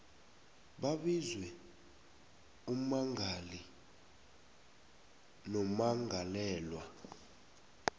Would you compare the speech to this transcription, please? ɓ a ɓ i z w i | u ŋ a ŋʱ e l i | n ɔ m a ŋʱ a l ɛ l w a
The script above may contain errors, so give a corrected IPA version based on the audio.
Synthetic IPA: ɓ a ɓ i z w ɛ | u m a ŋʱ a l i | n ɔ m a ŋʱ a l ɛː l w a